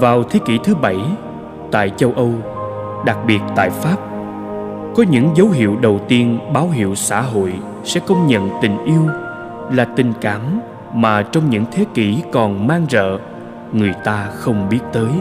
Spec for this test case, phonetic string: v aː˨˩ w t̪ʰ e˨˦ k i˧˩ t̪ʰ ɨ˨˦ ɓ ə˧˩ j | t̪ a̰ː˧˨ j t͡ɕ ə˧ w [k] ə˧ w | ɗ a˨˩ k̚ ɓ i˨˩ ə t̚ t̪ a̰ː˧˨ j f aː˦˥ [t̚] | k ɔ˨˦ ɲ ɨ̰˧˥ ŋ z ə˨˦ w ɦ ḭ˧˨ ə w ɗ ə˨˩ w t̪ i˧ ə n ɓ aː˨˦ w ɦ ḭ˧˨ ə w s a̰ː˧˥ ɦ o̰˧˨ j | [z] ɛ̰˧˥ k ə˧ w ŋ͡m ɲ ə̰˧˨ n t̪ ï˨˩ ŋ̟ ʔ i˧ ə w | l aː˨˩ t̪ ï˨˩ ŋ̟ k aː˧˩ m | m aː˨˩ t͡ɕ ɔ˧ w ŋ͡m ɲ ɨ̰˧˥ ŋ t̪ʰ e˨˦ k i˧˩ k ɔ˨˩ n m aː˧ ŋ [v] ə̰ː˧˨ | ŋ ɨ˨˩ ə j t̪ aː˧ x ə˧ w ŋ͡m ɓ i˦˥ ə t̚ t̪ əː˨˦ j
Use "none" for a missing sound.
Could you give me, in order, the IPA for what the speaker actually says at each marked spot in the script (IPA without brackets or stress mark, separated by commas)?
ʔ, p̚, s, z